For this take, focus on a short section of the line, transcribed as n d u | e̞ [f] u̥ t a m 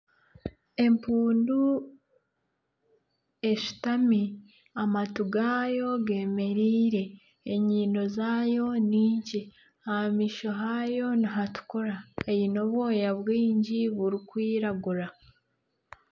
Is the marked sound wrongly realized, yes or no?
yes